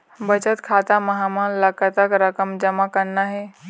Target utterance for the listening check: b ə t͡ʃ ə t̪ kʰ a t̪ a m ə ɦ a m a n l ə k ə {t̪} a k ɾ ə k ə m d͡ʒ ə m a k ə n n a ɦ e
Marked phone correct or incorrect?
correct